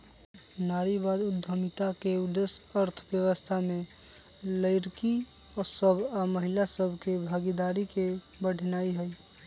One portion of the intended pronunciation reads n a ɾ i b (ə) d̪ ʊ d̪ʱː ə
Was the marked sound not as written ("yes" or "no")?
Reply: yes